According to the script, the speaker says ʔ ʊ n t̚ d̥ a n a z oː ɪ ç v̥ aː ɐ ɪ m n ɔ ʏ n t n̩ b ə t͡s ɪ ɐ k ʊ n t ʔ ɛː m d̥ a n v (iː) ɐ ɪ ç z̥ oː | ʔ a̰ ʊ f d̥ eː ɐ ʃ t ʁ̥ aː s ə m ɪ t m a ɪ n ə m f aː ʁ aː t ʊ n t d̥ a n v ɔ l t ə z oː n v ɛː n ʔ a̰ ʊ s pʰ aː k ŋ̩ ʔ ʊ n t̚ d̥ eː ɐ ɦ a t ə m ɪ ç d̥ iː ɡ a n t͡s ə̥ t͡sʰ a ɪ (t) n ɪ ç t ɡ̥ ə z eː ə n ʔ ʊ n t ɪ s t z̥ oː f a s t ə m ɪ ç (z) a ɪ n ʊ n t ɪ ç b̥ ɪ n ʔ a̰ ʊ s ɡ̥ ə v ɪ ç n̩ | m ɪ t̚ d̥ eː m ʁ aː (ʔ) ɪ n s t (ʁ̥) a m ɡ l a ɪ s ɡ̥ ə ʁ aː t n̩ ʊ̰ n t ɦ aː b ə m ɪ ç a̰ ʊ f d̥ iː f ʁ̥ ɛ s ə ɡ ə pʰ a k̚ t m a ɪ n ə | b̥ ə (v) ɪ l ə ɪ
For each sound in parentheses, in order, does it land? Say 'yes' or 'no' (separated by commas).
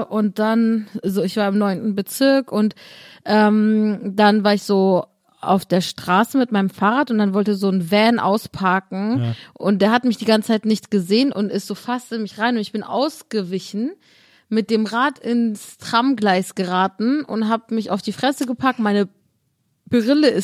no, yes, no, no, yes, no